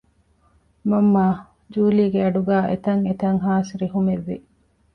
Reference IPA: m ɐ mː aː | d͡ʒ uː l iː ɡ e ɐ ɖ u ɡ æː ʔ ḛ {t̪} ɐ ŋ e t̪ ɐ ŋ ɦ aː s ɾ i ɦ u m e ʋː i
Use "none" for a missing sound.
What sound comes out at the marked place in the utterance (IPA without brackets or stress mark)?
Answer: t̪